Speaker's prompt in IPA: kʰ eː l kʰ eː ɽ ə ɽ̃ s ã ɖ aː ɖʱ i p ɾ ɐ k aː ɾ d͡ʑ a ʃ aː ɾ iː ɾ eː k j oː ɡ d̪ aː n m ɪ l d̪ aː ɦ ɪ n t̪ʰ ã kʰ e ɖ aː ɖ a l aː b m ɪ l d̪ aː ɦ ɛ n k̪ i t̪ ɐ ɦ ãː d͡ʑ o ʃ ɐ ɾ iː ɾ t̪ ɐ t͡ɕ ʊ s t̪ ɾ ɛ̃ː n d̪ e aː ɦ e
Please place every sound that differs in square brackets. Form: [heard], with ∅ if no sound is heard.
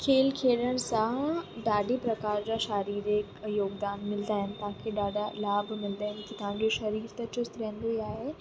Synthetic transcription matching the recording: kʰ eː l kʰ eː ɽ ə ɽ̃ s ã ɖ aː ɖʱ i p ɾ ɐ k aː ɾ d͡ʑ a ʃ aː ɾ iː ɾ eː k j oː ɡ d̪ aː n m ɪ l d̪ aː ɦ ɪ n [t̪] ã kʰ e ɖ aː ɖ a l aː b m ɪ l d̪ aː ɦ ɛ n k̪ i t̪ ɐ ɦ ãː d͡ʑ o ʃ ɐ ɾ iː ɾ t̪ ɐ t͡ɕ ʊ s t̪ ɾ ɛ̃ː n d̪ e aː ɦ e